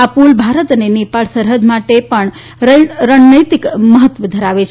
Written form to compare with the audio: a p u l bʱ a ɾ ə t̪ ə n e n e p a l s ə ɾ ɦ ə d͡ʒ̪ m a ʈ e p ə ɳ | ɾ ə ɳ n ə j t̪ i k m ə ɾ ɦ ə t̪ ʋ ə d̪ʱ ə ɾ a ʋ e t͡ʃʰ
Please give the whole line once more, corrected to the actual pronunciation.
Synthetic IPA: a p u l bʱ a ɾ ə t̪ ə n e n e p a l s ə ɾ ɦ ə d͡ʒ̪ m a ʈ e p ə ɳ | ɾ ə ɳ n ə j t̪ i k m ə ɦ ə t̪ ʋ ə d̪ʱ ə ɾ a ʋ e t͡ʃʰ